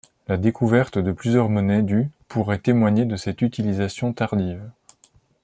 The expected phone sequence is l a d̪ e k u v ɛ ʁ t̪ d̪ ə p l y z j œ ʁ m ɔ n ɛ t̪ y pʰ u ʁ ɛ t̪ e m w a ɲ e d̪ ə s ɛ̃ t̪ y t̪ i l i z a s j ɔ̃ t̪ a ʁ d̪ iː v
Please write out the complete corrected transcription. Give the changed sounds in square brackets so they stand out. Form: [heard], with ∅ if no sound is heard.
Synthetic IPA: l a d̪ e k u v ɛ ʁ t̪ d̪ ə p l y z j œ ʁ m ɔ n ɛ [d̪] y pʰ u ʁ ɛ t̪ e m w a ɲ e d̪ ə s [ɛ] t̪ y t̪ i l i z a s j ɔ̃ t̪ a ʁ d̪ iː v